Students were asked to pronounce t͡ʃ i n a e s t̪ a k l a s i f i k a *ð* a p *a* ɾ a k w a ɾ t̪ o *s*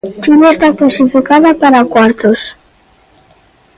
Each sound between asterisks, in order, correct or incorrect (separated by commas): correct, correct, correct